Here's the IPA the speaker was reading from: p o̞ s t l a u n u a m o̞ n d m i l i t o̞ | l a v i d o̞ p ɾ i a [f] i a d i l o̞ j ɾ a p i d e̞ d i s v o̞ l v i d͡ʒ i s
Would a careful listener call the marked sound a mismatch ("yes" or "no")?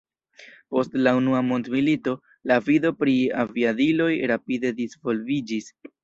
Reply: yes